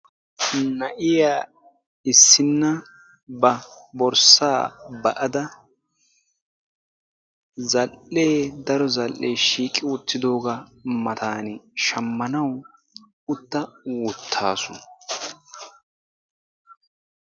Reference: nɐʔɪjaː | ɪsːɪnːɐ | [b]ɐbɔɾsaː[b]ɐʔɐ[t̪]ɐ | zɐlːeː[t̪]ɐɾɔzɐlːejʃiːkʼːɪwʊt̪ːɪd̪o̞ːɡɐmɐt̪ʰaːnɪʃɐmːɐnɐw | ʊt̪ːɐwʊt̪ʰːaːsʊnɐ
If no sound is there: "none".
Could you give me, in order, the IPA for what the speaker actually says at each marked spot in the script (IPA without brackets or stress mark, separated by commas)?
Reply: b, b, d̪, d̪